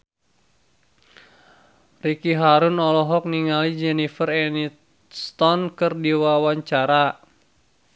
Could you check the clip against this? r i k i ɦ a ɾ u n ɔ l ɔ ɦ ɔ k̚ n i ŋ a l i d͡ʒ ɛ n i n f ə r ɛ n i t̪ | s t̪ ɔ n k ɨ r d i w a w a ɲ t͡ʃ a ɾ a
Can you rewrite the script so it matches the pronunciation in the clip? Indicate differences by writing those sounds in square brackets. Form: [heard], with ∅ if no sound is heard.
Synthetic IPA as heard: r i k i ɦ a ɾ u n ɔ l ɔ ɦ ɔ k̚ n i ŋ a l i d͡ʒ ɛ n i [∅] f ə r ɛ n i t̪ | s t̪ ɔ n k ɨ r d i w a w a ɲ t͡ʃ a ɾ a